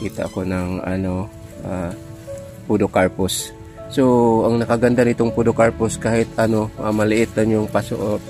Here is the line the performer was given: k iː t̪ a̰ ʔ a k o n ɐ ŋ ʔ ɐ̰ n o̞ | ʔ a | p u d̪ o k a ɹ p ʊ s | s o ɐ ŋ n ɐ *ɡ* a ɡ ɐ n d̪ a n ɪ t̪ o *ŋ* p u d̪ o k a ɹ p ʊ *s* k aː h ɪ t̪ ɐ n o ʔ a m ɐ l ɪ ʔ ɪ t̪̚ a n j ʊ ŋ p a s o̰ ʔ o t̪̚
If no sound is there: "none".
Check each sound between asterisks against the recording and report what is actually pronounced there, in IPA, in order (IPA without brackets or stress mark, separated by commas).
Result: k, ŋ, s